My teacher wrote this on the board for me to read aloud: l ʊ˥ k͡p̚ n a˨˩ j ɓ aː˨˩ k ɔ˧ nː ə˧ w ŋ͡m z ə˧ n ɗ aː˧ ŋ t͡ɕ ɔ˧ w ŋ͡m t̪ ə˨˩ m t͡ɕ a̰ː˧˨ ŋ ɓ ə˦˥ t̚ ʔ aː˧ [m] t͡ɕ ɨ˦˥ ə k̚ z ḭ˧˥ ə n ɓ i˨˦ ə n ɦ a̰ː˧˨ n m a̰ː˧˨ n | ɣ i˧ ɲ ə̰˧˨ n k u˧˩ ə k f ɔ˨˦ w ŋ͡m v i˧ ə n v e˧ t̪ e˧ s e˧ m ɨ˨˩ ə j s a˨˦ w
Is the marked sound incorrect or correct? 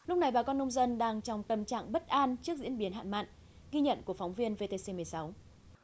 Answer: incorrect